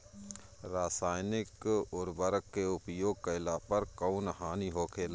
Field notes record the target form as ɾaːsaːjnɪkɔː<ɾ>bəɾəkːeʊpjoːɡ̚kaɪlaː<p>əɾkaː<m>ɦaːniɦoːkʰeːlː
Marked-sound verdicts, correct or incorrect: correct, correct, incorrect

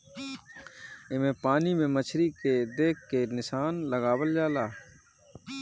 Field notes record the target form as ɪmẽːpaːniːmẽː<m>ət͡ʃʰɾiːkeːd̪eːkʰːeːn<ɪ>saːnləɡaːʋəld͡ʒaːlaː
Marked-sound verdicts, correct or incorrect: correct, correct

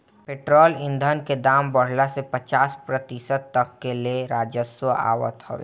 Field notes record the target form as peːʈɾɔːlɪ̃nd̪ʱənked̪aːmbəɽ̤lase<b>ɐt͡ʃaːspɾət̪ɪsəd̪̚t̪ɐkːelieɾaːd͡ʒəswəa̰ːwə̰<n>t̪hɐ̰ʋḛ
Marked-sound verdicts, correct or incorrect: incorrect, incorrect

